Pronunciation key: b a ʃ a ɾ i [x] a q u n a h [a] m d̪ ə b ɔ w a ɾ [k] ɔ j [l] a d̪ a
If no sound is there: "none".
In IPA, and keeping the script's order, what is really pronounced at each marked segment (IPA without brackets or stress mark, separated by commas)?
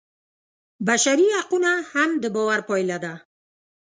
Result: h, a, p, l